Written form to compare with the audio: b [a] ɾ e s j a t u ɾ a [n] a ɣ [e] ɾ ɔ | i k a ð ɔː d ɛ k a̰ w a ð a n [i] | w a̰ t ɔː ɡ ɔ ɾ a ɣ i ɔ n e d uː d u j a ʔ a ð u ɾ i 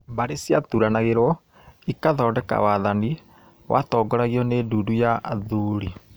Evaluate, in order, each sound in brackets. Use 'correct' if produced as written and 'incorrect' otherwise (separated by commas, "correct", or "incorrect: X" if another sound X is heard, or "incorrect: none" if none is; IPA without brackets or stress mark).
correct, correct, correct, correct